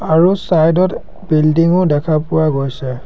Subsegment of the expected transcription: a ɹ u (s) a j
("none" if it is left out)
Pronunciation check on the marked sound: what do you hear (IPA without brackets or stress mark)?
s